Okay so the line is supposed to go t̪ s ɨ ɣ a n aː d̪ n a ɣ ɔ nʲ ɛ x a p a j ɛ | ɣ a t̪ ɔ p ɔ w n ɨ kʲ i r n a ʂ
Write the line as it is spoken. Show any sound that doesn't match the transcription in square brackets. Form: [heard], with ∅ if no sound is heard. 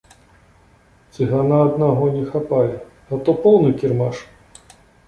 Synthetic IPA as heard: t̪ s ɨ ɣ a n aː d̪ n a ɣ ɔ nʲ ɛ x a p a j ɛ | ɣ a t̪ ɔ p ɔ w n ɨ kʲ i r [m] a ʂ